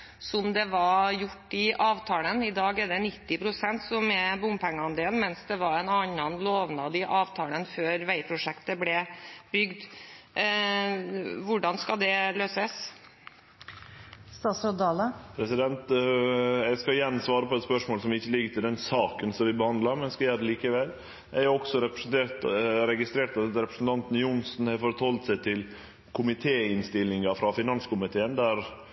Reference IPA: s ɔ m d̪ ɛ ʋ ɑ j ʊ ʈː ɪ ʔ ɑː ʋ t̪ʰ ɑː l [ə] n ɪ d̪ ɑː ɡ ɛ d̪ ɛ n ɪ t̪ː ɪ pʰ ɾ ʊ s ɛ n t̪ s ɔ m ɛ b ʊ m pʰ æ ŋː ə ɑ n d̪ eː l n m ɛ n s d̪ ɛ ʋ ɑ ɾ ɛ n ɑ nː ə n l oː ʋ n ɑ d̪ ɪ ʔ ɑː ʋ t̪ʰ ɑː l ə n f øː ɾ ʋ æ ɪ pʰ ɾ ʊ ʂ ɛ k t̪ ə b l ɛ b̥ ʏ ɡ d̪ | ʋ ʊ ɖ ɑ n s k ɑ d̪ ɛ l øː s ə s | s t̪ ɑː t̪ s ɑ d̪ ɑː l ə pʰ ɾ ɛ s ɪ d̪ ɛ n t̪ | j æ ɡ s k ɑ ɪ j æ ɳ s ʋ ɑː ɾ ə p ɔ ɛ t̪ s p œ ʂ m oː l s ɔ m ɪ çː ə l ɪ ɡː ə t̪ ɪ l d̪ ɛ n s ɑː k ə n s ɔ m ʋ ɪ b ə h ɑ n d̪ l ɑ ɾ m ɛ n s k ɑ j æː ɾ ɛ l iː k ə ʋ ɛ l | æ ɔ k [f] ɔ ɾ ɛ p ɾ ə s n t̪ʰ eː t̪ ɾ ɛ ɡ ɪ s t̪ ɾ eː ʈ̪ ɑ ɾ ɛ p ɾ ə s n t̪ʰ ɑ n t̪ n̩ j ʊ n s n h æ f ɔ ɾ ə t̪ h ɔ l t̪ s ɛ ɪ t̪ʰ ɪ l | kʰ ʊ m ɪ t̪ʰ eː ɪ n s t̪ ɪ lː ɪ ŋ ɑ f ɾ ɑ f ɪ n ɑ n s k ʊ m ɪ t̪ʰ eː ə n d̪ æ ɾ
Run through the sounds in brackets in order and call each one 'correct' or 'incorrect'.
correct, incorrect

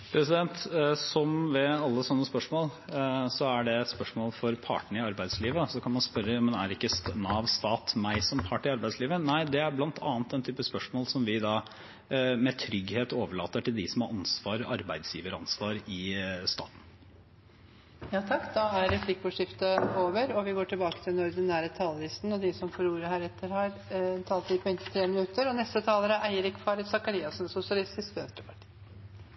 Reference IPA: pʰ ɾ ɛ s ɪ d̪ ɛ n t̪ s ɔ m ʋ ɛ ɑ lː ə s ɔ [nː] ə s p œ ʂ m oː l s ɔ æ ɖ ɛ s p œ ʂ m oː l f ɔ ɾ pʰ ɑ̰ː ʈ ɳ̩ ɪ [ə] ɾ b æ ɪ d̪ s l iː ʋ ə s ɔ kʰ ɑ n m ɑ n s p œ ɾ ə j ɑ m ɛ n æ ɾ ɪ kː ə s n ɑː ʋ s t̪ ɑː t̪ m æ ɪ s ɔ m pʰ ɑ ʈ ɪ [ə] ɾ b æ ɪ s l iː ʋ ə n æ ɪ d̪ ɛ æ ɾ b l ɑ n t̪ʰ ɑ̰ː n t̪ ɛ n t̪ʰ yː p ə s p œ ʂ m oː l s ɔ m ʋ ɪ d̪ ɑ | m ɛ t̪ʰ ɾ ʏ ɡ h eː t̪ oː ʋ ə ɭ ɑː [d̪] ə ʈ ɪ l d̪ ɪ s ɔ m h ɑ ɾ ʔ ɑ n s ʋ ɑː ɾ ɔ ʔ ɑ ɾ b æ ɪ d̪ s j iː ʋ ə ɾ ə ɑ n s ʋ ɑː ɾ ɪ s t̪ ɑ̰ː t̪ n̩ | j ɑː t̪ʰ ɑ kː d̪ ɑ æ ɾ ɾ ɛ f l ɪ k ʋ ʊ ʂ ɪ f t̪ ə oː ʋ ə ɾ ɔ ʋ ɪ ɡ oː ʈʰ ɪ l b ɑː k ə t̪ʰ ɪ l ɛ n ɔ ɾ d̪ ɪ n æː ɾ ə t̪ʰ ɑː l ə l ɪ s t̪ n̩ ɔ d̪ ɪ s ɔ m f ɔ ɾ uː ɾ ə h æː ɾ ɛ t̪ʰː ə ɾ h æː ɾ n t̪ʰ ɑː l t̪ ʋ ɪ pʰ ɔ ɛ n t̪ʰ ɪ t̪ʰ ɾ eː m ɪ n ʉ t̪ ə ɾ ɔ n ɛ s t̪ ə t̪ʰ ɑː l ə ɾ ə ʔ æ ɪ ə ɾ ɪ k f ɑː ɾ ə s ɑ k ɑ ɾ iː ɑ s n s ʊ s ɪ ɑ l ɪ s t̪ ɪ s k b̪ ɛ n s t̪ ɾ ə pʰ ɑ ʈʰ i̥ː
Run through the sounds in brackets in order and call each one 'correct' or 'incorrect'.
correct, incorrect, incorrect, incorrect

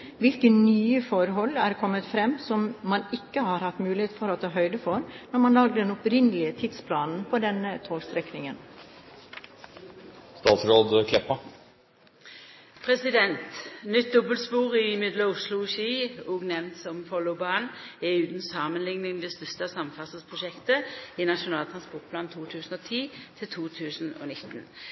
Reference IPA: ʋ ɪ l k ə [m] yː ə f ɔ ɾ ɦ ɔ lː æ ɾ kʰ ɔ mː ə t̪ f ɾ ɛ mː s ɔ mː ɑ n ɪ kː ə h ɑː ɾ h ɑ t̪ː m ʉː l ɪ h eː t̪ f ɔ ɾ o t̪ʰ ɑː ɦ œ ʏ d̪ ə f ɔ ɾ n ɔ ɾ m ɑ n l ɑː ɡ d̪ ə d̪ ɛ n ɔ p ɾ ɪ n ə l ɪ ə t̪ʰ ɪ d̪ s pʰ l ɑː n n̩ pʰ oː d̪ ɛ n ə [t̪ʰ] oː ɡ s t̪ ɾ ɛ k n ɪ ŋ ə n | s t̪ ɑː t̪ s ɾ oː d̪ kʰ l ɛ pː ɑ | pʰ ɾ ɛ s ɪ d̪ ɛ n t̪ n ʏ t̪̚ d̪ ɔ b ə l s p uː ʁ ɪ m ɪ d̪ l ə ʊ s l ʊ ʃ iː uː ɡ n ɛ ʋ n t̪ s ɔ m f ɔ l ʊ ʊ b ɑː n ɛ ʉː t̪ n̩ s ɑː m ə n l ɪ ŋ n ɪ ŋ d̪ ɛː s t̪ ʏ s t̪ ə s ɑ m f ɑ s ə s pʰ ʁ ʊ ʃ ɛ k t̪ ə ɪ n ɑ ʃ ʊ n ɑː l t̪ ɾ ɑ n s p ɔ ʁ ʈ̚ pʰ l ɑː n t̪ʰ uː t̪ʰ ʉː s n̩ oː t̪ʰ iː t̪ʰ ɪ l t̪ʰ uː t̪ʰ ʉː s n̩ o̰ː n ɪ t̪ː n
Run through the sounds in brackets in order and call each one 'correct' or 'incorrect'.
incorrect, correct

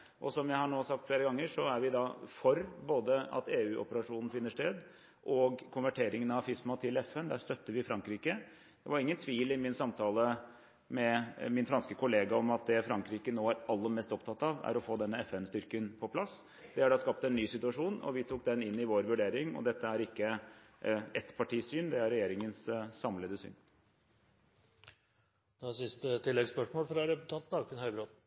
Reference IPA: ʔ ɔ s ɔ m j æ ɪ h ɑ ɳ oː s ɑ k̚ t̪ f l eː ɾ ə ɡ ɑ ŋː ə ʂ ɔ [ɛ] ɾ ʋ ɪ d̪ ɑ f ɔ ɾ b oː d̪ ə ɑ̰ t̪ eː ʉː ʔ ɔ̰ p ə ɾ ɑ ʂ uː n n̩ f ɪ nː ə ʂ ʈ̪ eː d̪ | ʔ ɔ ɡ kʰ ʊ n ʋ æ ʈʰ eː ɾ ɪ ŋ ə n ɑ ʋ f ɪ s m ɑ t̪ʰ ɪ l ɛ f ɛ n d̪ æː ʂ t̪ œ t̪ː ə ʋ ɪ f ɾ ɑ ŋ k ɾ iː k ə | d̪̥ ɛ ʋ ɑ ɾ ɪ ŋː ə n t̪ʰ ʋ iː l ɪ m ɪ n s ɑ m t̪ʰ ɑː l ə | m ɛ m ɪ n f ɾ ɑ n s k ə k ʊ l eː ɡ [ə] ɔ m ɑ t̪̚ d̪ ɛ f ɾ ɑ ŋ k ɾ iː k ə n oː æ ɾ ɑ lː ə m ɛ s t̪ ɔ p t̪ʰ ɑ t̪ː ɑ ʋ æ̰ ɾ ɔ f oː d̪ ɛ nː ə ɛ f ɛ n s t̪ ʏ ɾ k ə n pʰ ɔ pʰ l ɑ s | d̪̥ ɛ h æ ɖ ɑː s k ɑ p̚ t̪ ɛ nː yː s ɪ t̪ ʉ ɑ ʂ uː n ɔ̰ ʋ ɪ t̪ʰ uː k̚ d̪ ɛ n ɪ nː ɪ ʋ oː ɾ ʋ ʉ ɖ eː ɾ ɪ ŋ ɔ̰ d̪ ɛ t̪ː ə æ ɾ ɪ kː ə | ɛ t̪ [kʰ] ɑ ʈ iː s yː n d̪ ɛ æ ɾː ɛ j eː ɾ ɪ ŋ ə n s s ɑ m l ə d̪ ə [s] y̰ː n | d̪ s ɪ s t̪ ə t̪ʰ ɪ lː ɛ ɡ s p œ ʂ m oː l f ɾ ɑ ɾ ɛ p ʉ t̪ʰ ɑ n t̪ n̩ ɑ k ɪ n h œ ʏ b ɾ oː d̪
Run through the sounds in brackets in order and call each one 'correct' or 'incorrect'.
incorrect, incorrect, incorrect, correct

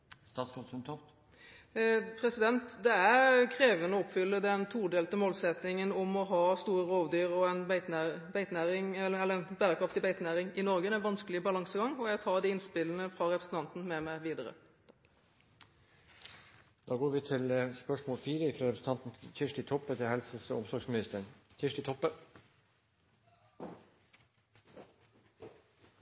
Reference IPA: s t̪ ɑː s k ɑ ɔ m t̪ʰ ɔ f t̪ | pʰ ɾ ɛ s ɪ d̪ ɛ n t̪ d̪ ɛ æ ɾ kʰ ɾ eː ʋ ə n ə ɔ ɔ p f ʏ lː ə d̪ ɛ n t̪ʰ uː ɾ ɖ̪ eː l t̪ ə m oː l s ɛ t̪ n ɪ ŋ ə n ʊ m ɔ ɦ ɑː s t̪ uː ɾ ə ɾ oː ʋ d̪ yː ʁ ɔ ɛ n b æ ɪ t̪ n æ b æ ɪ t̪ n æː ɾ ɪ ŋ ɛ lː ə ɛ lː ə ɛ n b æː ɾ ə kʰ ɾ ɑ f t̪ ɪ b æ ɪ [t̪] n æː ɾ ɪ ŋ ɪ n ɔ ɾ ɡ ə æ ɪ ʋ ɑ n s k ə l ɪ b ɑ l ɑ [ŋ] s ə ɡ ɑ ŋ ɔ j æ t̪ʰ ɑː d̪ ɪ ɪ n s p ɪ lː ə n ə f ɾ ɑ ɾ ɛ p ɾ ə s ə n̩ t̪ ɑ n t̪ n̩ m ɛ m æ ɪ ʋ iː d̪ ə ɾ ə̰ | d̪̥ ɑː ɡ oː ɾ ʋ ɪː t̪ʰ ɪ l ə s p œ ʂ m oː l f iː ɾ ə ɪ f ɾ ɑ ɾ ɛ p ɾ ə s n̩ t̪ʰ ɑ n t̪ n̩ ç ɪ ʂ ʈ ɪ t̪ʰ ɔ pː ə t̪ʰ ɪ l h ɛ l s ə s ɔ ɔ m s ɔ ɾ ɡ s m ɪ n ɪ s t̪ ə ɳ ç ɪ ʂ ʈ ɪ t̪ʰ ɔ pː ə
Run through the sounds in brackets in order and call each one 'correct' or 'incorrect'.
correct, correct

